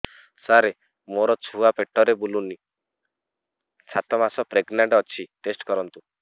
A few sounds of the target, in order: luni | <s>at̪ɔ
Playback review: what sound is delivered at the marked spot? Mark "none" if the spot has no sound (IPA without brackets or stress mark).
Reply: s